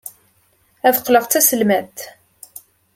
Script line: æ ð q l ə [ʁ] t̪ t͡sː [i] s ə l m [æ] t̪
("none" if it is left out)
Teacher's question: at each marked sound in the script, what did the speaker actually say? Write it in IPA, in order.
ʁ, æ, æ

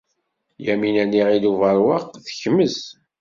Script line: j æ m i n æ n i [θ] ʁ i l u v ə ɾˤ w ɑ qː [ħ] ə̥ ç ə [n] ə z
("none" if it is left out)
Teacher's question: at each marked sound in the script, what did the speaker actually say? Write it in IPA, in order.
none, θ, m

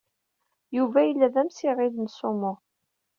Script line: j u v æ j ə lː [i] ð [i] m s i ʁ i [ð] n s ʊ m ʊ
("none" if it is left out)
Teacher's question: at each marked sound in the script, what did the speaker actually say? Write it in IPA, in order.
æ, æ, ð

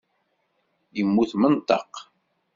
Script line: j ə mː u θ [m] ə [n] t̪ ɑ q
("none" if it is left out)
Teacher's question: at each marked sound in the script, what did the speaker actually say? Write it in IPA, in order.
m, n

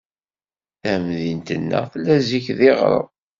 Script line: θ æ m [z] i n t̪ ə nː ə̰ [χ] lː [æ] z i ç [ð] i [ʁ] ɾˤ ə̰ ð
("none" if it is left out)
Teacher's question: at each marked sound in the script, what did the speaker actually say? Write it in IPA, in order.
ð, θ, æ, ð, ʁ

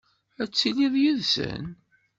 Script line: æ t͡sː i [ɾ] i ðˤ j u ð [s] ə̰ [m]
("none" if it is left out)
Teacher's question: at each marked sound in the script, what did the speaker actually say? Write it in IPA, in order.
l, s, n

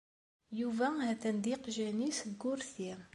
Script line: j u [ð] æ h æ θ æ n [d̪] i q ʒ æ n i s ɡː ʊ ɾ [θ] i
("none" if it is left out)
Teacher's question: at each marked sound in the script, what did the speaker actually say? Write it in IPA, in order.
v, d̪, θ

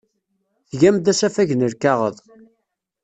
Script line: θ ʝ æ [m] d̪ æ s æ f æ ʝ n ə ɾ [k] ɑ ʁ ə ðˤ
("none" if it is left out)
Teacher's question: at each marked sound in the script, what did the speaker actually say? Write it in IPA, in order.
m, k

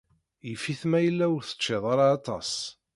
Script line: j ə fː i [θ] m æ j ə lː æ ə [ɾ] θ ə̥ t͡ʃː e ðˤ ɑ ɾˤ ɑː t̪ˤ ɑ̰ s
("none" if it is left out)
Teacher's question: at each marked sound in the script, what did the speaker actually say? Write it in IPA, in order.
θ, ɾ

